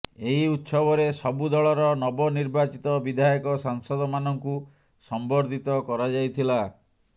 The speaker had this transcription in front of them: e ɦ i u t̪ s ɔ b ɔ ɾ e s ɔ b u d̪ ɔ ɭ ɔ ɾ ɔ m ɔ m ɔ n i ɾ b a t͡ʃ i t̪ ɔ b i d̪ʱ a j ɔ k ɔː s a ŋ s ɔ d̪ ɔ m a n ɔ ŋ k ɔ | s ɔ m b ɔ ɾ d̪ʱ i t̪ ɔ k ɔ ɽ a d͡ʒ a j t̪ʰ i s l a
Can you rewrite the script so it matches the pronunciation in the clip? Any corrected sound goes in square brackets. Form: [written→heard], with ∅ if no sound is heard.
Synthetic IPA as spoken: e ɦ i u t̪ s ɔ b ɔ ɾ e s ɔ b u d̪ ɔ ɭ ɔ ɾ ɔ [m→n] ɔ [m→b] ɔ n i ɾ b a t͡ʃ i t̪ ɔ b i d̪ʱ a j ɔ k [ɔː→ɔ] s a ŋ s ɔ d̪ ɔ m a n ɔ ŋ k [ɔ→u] | s ɔ m b ɔ ɾ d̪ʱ i t̪ ɔ k ɔ [ɽ→ɾ] a d͡ʒ a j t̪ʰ i [s→∅] l a